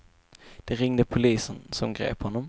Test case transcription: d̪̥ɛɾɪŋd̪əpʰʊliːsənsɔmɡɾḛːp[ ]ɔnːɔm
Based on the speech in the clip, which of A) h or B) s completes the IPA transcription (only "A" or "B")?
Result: A